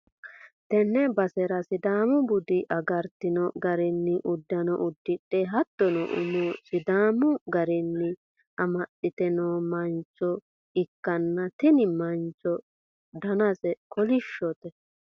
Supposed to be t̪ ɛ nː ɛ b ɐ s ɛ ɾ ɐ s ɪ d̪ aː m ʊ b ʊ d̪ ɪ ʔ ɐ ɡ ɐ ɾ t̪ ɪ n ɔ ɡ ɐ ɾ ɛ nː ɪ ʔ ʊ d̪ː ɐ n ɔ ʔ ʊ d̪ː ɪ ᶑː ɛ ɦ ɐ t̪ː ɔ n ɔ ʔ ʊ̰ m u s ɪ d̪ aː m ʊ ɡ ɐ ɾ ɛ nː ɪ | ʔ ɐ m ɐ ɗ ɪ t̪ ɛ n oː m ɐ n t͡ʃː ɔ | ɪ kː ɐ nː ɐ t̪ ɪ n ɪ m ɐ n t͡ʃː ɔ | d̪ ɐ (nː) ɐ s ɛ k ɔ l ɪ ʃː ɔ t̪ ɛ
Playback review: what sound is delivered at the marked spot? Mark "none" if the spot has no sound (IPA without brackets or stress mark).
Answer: n